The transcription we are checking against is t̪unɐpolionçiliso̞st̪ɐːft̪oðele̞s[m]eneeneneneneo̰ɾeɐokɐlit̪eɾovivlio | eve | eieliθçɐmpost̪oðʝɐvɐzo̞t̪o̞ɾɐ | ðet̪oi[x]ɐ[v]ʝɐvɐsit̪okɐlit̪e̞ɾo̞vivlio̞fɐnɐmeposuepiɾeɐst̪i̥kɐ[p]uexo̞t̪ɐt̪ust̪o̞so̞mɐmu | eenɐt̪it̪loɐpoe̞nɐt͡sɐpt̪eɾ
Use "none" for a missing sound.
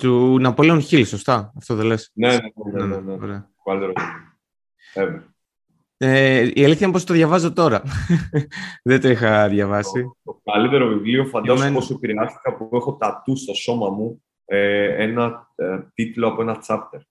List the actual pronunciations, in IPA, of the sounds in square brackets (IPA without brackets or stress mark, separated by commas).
n, x, ð, p